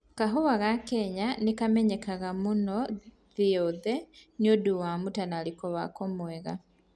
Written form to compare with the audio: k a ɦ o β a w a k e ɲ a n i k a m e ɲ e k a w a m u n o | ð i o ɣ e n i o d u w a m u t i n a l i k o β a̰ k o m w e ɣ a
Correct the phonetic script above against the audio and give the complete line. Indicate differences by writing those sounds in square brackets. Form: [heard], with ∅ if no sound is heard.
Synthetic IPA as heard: k a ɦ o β a [ɣ] a k e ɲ a n i k a m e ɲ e k a [ɣ] a m u n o | ð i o [ð] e n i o d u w a m u t [a] n a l i k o β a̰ k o m w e ɣ a